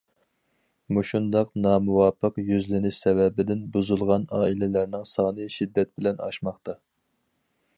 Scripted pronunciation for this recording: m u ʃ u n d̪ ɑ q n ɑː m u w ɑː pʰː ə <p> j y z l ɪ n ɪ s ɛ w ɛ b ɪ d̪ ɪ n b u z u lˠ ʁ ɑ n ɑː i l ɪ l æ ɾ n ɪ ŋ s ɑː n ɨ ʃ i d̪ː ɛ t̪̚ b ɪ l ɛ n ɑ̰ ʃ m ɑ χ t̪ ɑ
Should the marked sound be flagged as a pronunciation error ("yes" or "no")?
yes